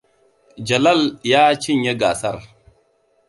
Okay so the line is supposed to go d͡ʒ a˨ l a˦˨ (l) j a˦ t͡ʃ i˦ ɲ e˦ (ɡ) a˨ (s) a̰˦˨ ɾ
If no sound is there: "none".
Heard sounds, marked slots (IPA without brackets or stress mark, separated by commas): l, ɡ, s